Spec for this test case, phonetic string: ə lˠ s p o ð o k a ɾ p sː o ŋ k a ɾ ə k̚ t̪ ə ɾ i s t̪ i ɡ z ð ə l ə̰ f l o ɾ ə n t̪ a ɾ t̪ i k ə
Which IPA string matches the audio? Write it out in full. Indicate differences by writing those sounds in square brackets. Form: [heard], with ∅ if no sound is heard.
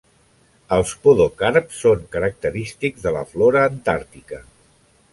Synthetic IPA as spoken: ə lˠ s p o ð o k a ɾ p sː o ŋ k [ə] ɾ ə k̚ t̪ ə ɾ i s t̪ i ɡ z ð ə l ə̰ f l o ɾ [əː] n t̪ a ɾ t̪ i k ə